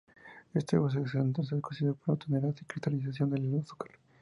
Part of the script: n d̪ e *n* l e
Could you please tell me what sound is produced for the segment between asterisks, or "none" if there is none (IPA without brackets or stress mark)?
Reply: none